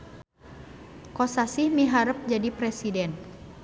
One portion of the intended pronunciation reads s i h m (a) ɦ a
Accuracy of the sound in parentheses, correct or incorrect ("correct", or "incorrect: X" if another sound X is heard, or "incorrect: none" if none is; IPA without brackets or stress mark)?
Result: incorrect: i